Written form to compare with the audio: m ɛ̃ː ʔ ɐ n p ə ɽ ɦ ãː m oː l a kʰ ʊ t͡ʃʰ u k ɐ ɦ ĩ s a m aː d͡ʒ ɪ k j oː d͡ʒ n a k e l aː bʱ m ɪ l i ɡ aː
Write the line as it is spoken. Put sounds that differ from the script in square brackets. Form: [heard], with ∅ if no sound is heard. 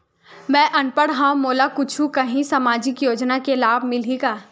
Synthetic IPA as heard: m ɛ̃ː ʔ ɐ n p ə ɽ ɦ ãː m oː l a [k] ʊ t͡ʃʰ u k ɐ ɦ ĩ s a m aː d͡ʒ ɪ k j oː d͡ʒ n a k e l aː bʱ m ɪ l i ɡ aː